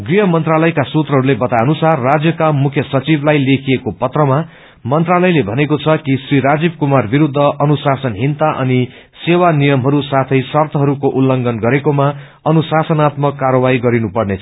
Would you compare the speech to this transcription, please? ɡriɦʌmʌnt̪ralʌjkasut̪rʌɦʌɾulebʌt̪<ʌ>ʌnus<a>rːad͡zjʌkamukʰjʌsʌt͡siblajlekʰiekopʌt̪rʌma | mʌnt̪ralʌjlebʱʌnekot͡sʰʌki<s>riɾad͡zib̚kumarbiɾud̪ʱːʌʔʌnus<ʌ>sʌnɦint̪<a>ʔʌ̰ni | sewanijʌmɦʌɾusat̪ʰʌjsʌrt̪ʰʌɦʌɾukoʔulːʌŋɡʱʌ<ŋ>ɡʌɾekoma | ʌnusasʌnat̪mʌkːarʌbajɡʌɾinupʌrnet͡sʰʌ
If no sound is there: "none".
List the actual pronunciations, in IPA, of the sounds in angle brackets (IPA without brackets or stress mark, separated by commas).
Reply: a, a, s, a, a, n